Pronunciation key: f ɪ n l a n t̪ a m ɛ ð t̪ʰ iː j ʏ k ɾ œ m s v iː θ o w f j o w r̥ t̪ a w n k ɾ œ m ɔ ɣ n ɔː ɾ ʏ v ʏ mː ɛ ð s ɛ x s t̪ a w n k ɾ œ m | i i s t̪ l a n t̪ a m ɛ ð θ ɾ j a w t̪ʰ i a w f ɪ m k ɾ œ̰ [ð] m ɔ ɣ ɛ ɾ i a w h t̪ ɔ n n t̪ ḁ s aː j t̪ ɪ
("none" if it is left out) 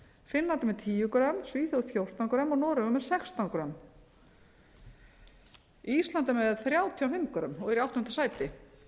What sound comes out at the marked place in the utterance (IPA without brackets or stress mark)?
none